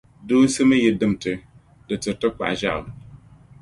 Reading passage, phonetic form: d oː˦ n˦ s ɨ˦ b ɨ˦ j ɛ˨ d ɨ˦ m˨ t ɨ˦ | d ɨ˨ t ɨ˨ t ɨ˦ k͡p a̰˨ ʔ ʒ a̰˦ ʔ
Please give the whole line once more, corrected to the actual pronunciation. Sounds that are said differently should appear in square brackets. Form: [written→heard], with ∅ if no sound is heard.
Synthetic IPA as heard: d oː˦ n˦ s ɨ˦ [b→m] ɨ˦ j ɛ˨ d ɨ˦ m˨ t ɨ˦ | d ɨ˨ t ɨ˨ t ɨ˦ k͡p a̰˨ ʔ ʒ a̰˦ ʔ